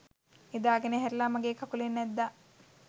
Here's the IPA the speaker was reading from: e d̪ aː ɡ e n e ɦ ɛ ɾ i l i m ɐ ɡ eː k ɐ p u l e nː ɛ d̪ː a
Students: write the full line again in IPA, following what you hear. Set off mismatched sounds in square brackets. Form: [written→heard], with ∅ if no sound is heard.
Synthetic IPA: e d̪ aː ɡ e n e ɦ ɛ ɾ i l [i→a] m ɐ ɡ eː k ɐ [p→k] u l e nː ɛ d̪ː a